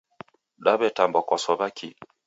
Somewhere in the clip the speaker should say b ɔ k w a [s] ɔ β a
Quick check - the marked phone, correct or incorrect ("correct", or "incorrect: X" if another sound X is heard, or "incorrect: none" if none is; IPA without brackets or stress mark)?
correct